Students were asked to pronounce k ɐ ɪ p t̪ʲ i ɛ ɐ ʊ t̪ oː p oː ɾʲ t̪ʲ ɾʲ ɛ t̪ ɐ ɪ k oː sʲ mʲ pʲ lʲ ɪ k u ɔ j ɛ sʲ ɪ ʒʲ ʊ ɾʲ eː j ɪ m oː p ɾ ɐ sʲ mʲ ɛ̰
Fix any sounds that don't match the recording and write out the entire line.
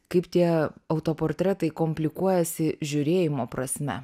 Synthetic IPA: k ɐ ɪ p t̪ʲ i ɛ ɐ ʊ t̪ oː p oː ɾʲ t̪ʲ ɾʲ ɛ t̪ ɐ ɪ k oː mʲ pʲ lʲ ɪ k u ɔ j ɛ sʲ ɪ ʒʲ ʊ ɾʲ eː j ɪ m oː p ɾ ɐ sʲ mʲ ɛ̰

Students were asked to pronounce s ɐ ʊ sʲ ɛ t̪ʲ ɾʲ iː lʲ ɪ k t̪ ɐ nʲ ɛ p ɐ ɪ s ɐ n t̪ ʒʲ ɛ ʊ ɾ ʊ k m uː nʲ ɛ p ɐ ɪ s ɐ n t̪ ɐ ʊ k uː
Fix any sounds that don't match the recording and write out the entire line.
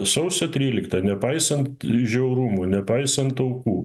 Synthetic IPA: s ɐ ʊ sʲ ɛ t̪ʲ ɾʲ iː lʲ ɪ k t̪ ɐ nʲ ɛ p ɐ ɪ s ɐ n t̪ ʒʲ ɛ ʊ ɾ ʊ m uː nʲ ɛ p ɐ ɪ s ɐ n t̪ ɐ ʊ k uː

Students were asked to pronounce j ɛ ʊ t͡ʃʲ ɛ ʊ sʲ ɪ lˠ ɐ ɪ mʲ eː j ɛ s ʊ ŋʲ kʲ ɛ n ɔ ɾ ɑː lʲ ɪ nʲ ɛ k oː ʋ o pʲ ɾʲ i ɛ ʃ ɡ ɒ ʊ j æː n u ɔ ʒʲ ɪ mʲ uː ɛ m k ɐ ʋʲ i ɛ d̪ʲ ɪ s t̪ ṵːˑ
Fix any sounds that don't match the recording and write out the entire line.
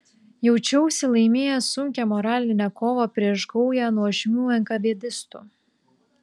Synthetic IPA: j ɛ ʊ t͡ʃʲ ɛ ʊ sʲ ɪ lˠ ɐ ɪ mʲ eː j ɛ s ʊ ŋʲ kʲ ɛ m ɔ ɾ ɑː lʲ ɪ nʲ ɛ k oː ʋ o pʲ ɾʲ i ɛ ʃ ɡ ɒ ʊ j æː n u ɔ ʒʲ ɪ mʲ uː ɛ ŋ k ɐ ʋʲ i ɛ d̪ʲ ɪ s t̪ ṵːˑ

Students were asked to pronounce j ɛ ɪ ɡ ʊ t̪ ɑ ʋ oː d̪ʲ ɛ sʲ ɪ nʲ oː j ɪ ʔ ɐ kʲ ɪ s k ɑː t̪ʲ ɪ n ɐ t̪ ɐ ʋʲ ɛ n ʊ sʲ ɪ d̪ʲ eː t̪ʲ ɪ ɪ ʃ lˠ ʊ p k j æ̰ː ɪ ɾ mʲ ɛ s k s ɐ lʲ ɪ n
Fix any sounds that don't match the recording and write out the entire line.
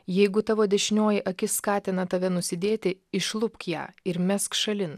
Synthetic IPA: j ɛ ɪ ɡ ʊ t̪ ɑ ʋ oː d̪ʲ ɛ ʃʲ ɪ nʲ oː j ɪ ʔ ɐ kʲ ɪ s k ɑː t̪ʲ ɪ n ɐ t̪ ɐ ʋʲ ɛ n ʊ sʲ ɪ d̪ʲ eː t̪ʲ ɪ ɪ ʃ lˠ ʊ p k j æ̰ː ɪ ɾ mʲ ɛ s k ʃ ɐ lʲ ɪ n

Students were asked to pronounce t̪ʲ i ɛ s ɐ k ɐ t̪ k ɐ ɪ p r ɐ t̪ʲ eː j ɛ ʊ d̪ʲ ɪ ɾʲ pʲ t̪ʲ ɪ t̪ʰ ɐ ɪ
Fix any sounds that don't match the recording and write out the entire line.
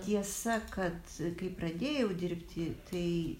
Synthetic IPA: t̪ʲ i ɛ s ɐ k ɐ t̪ k ɐ ɪ p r ɐ d̪ʲ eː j ɛ ʊ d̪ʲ ɪ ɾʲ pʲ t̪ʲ ɪ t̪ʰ ɐ ɪ

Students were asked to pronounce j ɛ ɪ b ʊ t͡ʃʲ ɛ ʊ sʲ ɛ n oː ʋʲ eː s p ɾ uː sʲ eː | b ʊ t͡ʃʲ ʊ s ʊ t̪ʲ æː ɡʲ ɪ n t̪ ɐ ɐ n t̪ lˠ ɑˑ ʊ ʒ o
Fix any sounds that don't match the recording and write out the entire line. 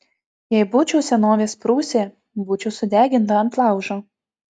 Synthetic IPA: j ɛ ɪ b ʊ t͡ʃʲ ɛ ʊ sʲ ɛ n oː ʋʲ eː s p ɾ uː sʲ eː | b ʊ t͡ʃʲ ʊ s ʊ d̪ʲ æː ɡʲ ɪ n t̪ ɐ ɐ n t̪ lˠ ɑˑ ʊ ʒ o

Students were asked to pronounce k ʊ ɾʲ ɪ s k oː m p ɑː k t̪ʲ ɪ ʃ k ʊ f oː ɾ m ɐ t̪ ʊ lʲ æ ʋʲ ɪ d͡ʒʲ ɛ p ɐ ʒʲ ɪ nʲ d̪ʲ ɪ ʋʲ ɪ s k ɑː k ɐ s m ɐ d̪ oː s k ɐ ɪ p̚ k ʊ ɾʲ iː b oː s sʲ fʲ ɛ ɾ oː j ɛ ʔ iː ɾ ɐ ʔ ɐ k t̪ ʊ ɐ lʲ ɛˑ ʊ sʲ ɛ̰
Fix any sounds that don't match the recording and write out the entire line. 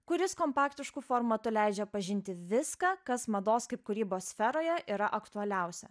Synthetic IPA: k ʊ ɾʲ ɪ s k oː m p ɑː k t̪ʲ ɪ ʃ k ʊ f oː ɾ m ɐ t̪ ʊ lʲ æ ɪ d͡ʒʲ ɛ p ɐ ʒʲ ɪ nʲ t̪ʲ ɪ ʋʲ ɪ s k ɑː k ɐ s m ɐ d̪ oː s k ɐ ɪ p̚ k ʊ ɾʲ iː b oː s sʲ fʲ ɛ ɾ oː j ɛ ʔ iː ɾ ɐ ʔ ɐ k t̪ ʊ ɐ lʲ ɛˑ ʊ sʲ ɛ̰

